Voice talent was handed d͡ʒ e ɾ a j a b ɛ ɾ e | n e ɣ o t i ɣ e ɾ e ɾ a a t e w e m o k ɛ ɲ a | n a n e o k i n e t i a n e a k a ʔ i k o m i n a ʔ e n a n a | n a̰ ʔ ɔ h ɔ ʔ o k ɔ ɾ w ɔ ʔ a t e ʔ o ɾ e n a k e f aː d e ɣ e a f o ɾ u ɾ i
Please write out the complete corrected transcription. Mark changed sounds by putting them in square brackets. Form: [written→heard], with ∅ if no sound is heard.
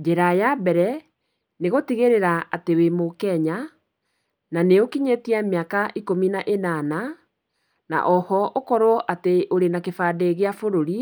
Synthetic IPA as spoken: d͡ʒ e ɾ a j a b ɛ ɾ [e→ɛ] | n e ɣ o t i ɣ e ɾ e ɾ a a t e w e m o k ɛ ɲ a | n a n e o k i [n→ɲ] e t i a [n→m] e a k a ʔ i k o m i n a ʔ e n a n a | n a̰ ʔ ɔ h ɔ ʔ o k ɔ ɾ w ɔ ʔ a t e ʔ o ɾ e n a k e f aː d e ɣ e a f o ɾ [u→o] ɾ i